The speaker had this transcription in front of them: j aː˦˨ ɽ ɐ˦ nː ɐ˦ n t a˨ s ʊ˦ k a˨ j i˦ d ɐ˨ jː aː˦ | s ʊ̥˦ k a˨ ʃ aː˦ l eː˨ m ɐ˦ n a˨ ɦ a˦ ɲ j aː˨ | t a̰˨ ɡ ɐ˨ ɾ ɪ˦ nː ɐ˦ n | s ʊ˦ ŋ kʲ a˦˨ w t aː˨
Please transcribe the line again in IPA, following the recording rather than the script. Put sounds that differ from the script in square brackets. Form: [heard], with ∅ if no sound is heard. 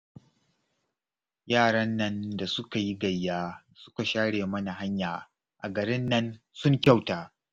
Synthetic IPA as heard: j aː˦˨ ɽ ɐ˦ nː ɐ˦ n [d] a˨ s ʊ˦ k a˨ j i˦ [ɡ] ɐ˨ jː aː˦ | s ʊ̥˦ k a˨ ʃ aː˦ [ɽ] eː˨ m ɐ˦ n a˨ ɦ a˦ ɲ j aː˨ | [ʔ] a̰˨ ɡ ɐ˨ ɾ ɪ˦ nː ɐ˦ n | s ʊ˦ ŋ kʲ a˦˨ w t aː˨

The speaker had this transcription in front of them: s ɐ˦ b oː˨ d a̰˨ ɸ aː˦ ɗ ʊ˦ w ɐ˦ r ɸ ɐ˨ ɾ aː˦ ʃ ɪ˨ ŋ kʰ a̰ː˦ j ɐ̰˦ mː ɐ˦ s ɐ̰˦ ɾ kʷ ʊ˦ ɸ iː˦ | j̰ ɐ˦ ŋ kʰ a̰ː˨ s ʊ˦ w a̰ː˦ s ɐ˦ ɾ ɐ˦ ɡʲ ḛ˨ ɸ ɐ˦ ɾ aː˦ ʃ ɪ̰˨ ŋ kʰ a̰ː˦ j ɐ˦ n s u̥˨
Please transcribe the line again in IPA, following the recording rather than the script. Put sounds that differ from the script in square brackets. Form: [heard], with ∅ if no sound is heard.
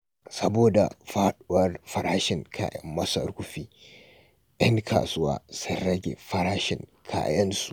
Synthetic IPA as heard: s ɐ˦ b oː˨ d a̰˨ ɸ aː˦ ɗ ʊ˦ w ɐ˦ r ɸ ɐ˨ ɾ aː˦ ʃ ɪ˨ ŋ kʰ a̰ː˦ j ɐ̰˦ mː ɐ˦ s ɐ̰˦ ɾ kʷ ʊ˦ ɸ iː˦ | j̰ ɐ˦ ŋ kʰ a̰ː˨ s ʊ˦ w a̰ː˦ s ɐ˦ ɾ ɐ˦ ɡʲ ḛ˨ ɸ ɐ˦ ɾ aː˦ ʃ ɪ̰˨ ŋ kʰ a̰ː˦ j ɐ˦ n s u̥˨

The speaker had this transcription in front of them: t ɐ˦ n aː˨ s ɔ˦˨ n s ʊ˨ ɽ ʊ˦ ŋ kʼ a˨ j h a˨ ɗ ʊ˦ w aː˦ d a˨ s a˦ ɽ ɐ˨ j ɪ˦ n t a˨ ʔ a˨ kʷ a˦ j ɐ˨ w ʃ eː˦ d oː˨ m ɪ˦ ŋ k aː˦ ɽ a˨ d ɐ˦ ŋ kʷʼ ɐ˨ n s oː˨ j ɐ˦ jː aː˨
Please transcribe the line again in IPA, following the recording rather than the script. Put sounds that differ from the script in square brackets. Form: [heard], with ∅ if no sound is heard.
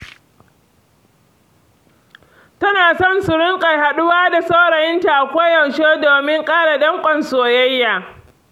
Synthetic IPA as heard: t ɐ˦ n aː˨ s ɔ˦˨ n s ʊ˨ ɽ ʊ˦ ŋ kʼ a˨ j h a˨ ɗ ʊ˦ w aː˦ d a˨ s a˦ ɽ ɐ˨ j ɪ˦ n t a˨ ʔ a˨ kʷ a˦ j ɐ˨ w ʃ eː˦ d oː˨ m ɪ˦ ŋ [kʼ] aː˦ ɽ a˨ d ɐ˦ ŋ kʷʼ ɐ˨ n s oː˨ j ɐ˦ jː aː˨

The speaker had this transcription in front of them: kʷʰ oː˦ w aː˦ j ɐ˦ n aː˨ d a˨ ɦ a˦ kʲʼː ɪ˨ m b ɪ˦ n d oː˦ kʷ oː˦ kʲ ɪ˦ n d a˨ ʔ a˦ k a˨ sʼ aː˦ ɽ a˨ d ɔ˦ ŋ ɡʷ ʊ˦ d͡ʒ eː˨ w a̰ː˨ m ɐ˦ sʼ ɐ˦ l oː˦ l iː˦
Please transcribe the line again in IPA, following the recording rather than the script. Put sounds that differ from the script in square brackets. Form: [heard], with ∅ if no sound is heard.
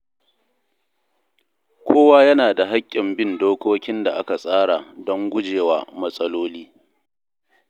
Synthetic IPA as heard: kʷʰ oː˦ w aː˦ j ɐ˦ n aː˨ d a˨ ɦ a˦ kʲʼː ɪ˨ m b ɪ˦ n d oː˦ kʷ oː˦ kʲ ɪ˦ n d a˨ ʔ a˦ k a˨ sʼ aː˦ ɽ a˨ d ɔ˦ ŋ ɡʷ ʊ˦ d͡ʒ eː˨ w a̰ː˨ m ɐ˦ sʼ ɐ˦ l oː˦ l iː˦

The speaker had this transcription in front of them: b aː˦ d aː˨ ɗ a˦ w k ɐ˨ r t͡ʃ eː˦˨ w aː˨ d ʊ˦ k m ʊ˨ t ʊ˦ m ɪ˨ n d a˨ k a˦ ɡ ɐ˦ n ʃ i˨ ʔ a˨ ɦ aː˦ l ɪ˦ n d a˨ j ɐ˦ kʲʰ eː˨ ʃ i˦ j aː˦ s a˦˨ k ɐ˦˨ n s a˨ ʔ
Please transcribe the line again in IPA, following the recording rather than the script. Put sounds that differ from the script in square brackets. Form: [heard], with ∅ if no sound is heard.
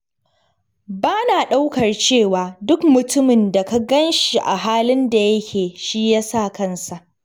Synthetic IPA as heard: b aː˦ [n] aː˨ ɗ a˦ w k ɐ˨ r t͡ʃ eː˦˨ w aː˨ d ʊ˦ k m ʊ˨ t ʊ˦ m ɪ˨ n d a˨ k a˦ ɡ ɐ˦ n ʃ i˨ ʔ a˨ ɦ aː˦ l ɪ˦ n d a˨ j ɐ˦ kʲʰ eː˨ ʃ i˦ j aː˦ s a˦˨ k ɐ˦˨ n s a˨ ʔ

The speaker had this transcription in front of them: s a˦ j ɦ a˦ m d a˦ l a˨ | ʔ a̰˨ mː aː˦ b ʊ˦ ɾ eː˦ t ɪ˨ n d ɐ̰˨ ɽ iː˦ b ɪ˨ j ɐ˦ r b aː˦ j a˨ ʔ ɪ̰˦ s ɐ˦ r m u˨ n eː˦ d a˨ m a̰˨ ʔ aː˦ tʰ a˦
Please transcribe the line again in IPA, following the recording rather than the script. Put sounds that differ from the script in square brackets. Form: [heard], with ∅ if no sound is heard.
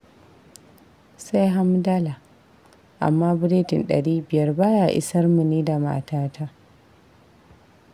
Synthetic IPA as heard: s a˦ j ɦ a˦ m d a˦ l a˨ | ʔ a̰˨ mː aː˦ b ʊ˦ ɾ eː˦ t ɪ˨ n [ɗ] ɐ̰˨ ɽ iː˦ b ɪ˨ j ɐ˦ r b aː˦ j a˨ ʔ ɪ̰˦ s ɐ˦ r m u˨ n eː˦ d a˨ m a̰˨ [t] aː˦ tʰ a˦

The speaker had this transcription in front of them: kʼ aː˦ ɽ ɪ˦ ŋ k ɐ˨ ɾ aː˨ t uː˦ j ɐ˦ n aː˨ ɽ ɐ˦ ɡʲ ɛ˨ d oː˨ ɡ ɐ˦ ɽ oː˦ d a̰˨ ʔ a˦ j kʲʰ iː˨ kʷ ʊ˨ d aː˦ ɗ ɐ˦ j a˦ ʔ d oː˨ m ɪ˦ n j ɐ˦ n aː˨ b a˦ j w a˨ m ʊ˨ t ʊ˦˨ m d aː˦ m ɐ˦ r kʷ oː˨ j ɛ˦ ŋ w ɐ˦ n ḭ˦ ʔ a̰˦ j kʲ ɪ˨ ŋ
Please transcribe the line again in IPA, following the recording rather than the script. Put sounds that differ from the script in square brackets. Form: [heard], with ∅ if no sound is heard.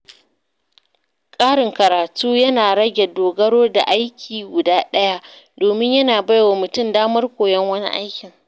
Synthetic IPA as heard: kʼ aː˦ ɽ [ɪ˨] ŋ k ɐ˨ ɾ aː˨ t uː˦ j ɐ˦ n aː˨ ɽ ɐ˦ ɡʲ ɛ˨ d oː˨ ɡ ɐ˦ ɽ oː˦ d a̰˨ ʔ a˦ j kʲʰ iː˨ [ɡʷ] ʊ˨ d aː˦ ɗ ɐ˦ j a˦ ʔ d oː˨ m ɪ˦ [ɲ] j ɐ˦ n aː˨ b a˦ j w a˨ m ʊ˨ t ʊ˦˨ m d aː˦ m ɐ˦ r kʷ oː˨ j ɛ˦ ŋ w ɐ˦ n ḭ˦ ʔ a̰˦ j kʲ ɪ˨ ŋ

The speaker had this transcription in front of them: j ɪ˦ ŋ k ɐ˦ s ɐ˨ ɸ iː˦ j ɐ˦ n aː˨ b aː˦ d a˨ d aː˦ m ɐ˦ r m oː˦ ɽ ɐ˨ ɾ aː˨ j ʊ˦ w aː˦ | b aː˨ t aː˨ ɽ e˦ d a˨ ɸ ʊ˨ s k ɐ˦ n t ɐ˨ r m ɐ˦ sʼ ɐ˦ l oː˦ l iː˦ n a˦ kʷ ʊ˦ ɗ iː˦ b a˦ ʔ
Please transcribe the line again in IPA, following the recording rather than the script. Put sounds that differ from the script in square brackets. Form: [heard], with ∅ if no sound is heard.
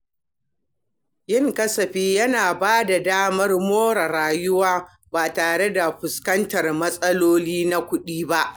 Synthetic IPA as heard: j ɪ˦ ŋ k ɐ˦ s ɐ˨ ɸ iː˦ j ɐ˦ n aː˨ b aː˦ d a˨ d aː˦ m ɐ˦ r m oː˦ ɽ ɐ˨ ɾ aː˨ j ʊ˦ w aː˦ | b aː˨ t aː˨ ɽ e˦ d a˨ ɸ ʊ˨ s k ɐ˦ n t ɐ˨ r m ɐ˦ sʼ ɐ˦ l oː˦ l iː˦ n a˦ kʷ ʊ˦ ɗ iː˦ b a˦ ʔ

